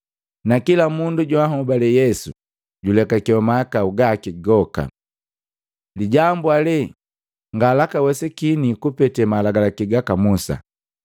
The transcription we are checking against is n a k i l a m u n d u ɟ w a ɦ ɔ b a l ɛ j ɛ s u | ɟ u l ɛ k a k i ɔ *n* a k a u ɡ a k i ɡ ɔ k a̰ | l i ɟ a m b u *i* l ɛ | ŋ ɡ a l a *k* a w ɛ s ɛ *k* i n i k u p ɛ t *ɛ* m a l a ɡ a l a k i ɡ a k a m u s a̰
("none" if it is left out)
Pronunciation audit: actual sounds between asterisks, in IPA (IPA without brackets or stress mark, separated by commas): m, a, k, k, ɛ